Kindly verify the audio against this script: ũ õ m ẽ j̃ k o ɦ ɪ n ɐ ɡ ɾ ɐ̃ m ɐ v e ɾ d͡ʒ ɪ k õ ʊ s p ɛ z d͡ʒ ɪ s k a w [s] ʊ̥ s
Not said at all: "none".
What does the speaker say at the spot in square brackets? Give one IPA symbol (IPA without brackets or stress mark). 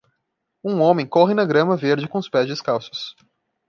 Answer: s